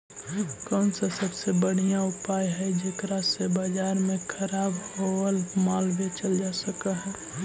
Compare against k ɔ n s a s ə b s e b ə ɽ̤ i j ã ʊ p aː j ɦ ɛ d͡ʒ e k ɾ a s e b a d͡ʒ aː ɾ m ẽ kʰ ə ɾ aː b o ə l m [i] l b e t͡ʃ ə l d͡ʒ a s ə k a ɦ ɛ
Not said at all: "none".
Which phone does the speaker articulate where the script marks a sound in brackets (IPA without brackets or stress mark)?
a